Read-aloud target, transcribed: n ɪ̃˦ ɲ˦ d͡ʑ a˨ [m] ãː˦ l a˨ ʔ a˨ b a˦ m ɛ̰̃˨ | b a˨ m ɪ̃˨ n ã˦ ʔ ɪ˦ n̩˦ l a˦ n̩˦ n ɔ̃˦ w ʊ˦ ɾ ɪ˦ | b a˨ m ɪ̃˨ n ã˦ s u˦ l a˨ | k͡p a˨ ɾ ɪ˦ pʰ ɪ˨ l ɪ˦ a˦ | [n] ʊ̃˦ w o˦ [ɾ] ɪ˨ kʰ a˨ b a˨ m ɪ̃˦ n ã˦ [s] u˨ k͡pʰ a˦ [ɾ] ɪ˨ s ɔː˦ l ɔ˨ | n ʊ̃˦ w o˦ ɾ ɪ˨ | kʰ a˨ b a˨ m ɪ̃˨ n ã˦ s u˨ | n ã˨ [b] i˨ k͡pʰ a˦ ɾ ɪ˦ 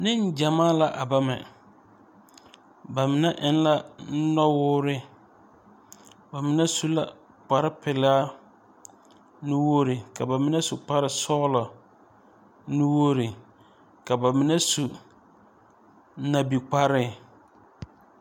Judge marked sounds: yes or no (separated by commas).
yes, yes, yes, yes, yes, yes